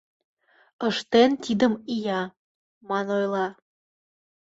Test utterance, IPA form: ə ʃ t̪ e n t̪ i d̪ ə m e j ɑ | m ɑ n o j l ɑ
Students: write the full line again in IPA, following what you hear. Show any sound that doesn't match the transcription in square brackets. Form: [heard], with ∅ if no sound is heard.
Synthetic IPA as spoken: ə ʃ t̪ e n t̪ i d̪ ə m [i] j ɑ | m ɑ n o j l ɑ